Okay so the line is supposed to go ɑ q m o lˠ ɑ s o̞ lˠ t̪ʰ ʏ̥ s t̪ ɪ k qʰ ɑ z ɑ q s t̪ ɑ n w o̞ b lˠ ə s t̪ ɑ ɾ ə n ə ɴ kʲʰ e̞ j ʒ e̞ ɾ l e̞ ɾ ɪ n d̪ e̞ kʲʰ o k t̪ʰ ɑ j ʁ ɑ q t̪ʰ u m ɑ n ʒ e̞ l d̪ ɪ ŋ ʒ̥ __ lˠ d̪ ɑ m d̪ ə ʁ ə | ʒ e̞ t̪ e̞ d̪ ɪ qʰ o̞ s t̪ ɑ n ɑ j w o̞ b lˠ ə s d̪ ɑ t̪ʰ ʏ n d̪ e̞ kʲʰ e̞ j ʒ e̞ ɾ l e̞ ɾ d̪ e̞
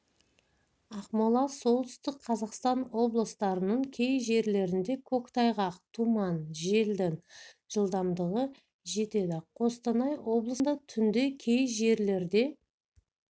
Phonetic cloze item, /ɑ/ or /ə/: ə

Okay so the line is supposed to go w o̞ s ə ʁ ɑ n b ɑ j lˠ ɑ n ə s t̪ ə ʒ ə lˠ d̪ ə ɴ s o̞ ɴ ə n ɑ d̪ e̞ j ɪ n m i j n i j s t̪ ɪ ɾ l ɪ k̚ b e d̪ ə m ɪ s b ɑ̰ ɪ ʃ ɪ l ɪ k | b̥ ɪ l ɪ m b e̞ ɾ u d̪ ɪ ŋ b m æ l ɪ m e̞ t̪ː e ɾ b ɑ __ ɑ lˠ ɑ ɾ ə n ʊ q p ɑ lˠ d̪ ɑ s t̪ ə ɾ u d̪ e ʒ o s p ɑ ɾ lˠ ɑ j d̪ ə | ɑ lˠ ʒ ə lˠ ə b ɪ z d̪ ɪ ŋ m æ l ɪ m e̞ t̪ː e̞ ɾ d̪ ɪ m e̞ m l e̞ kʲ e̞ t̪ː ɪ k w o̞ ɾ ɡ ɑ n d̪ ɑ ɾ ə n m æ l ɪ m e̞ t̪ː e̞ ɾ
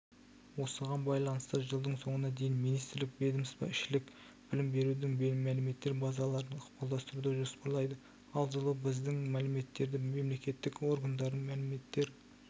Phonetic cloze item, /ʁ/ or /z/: z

